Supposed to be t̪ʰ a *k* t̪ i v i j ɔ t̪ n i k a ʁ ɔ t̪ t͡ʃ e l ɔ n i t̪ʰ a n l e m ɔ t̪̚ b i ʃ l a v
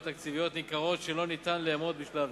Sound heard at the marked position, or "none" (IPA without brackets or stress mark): k